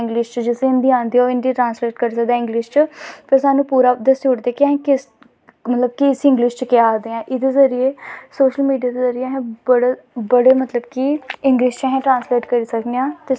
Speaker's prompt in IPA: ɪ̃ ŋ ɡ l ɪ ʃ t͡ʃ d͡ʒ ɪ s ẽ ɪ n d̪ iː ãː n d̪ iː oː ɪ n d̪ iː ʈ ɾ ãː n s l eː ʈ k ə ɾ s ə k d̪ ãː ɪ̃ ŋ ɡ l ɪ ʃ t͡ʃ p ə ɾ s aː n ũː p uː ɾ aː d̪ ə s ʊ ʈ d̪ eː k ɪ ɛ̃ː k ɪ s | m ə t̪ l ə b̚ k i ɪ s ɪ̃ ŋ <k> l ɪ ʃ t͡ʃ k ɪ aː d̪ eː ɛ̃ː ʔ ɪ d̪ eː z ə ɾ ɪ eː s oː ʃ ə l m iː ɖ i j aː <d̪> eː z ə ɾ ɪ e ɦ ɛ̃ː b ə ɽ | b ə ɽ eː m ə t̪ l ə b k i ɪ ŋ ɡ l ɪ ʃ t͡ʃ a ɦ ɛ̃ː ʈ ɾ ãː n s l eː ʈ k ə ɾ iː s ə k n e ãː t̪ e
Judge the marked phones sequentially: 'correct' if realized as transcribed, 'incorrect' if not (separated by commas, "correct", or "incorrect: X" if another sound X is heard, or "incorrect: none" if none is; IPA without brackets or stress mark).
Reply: incorrect: ɡ, correct